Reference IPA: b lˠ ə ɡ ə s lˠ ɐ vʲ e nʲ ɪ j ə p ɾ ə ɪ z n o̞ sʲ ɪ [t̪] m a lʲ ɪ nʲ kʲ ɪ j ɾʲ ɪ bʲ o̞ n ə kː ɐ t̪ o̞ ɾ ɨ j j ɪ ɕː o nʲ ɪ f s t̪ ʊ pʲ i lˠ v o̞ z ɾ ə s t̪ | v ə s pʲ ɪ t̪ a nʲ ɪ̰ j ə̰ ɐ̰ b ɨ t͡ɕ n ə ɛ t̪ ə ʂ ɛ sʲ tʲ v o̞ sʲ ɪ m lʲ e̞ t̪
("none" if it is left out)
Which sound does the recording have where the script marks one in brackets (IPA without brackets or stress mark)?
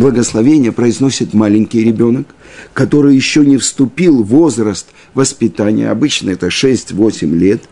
t̪